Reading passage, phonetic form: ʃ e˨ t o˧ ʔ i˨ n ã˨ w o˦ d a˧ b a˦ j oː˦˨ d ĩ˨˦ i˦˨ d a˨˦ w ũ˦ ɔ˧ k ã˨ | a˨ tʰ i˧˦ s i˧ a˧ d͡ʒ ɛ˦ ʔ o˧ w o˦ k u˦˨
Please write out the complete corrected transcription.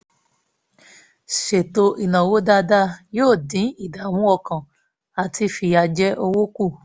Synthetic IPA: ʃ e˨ t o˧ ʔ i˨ n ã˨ w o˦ d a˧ d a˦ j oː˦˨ d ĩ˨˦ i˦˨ d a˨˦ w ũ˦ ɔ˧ k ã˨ | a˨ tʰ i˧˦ f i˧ a˧ d͡ʒ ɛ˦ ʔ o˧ w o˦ k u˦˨